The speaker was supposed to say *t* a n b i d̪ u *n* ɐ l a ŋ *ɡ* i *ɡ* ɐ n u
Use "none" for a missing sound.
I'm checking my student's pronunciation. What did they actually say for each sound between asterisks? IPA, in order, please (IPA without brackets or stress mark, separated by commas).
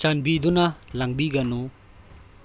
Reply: t͡ʃ, n, b, ɡ